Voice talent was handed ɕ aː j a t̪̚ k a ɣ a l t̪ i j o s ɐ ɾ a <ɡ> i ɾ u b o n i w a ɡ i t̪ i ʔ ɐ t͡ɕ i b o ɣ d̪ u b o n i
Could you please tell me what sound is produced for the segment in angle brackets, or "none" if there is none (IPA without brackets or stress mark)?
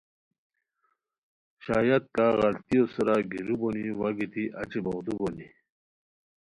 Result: ɡ